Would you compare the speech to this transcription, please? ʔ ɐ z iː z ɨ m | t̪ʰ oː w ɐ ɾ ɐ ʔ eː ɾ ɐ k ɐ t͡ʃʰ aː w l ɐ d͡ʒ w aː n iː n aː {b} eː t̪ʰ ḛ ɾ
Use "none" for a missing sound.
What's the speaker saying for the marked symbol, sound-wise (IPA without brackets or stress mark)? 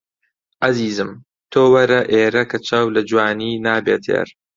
b